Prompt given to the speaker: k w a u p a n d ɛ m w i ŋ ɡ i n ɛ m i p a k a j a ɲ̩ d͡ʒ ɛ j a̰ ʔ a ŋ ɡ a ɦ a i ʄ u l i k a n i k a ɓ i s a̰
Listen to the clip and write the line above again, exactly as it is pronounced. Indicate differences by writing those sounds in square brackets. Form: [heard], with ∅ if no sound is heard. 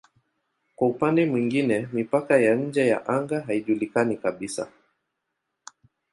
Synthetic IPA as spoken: k w a u p a n d ɛ m w i ŋ ɡ i n ɛ m i p a k a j a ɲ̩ d͡ʒ ɛ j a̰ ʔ a ŋ ɡ a ɦ a i ʄ u l i k a n i k a ɓ i s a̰